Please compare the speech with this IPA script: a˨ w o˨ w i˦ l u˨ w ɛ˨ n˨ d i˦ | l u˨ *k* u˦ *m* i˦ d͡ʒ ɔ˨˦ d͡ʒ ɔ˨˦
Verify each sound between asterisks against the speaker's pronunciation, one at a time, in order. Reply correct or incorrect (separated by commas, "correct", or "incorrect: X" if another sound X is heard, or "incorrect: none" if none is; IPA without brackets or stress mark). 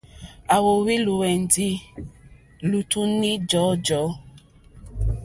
incorrect: t, incorrect: n